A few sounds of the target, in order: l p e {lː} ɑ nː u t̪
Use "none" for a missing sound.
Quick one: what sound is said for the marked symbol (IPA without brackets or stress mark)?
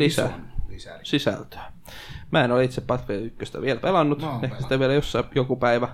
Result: l